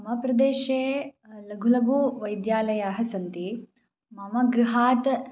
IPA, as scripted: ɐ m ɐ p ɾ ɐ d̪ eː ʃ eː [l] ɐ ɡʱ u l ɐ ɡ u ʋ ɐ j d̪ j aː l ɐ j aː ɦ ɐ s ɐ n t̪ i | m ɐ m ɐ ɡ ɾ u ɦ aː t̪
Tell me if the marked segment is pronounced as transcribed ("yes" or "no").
yes